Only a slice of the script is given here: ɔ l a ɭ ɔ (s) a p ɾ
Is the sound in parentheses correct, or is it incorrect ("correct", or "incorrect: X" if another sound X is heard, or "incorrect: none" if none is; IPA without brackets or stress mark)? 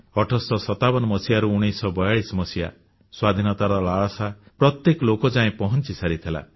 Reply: correct